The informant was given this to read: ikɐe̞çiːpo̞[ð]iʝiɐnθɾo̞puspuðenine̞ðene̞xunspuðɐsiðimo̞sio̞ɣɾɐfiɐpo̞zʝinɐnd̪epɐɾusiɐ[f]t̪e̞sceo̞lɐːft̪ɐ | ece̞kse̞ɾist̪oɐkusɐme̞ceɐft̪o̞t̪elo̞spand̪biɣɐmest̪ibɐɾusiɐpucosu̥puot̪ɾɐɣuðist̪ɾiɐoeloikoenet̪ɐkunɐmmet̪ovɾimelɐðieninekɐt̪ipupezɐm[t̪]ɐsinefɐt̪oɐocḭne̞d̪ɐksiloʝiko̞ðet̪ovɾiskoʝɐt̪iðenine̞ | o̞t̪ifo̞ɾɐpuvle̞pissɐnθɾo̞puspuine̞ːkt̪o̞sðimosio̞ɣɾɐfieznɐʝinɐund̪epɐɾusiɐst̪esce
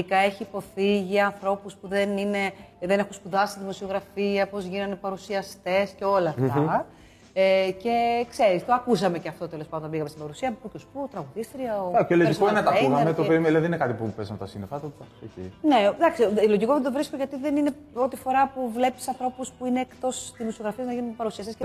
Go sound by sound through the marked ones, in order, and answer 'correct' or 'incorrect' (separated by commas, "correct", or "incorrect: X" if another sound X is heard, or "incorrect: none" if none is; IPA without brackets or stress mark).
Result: incorrect: θ, incorrect: s, correct